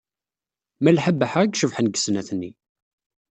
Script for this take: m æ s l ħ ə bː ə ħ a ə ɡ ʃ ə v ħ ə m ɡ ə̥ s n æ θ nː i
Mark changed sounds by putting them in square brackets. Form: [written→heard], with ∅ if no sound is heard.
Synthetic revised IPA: m æ [s→∅] l ħ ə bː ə ħ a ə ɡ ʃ ə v ħ ə [m→n] ɡ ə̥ s n æ θ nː i